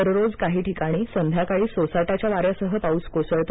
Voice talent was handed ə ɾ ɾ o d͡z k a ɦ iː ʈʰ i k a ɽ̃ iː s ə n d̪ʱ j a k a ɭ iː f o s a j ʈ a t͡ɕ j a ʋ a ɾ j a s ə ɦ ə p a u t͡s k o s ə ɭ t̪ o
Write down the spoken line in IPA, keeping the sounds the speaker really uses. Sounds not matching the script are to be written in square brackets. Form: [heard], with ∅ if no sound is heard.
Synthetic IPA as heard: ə ɾ ɾ o d͡z k a ɦ iː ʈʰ i k a ɽ̃ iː s ə n d̪ʱ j a k a ɭ iː [s] o s a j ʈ a t͡ɕ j a ʋ a ɾ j a s ə ɦ ə p a u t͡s k o s ə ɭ t̪ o